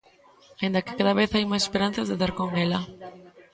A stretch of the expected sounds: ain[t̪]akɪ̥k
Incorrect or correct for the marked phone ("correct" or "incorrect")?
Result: incorrect